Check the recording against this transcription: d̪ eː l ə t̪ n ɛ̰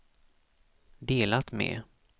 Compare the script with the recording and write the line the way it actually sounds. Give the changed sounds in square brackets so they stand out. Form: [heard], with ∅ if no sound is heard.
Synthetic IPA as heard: d̪ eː l [a] t̪ [m] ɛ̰